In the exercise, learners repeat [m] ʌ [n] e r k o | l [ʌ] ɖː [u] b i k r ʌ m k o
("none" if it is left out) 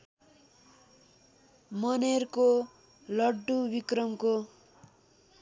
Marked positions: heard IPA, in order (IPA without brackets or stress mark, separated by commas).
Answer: m, n, ʌ, u